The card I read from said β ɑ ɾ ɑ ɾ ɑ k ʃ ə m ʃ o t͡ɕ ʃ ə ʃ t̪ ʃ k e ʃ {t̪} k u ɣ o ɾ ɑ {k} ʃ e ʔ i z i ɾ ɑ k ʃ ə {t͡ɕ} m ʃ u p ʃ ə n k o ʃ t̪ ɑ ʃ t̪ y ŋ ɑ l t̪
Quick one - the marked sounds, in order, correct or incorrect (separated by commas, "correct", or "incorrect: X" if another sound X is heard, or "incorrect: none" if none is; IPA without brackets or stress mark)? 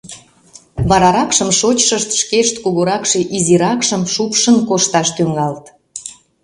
correct, correct, incorrect: none